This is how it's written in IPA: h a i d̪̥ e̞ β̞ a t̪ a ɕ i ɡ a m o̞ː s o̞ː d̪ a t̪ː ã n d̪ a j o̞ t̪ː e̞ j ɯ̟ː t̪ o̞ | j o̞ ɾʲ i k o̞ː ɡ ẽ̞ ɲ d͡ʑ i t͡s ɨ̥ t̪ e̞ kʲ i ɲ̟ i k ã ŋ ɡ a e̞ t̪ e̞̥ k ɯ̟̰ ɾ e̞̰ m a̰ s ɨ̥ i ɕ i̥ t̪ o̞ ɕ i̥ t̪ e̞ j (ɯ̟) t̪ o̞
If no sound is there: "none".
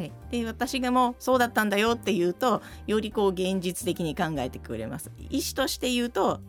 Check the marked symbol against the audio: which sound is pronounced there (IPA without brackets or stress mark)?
ɯ̟ː